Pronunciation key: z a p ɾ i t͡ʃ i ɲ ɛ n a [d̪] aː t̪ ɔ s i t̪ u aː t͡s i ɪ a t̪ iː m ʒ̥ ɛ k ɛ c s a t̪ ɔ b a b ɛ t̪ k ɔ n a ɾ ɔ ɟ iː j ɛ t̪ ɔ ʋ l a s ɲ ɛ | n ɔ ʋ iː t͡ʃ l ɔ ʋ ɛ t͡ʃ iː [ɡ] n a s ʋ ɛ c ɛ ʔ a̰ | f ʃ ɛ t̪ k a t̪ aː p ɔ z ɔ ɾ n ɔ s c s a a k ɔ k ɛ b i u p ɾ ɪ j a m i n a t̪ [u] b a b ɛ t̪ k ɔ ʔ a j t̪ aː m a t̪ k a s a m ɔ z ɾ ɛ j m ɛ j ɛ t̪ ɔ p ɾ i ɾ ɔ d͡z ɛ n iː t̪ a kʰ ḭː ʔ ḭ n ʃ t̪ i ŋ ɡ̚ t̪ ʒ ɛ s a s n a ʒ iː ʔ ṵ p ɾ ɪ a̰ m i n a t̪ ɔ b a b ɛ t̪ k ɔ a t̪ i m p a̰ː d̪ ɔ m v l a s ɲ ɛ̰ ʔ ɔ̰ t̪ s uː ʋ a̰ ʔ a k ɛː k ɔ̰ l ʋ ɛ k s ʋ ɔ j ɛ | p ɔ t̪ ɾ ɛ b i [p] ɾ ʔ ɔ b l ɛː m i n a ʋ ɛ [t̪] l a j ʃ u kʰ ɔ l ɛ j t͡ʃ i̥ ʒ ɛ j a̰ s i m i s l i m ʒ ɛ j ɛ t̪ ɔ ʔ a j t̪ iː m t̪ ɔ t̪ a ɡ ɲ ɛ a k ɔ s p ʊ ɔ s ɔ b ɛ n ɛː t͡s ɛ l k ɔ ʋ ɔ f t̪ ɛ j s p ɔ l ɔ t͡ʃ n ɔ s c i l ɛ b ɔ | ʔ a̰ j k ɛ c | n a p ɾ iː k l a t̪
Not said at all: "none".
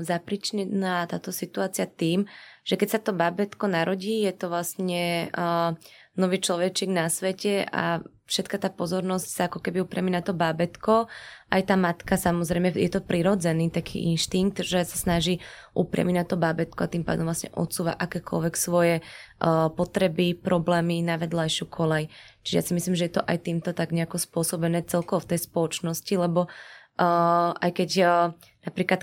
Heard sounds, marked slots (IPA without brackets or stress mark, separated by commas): t̪, ɡ, ɔ, p, d̪